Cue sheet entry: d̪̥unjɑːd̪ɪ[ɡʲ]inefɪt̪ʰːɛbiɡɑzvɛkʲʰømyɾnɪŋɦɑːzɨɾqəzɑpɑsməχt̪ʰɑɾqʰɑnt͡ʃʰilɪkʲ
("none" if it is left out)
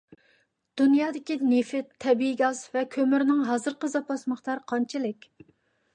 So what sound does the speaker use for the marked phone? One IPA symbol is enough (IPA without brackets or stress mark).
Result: kʲ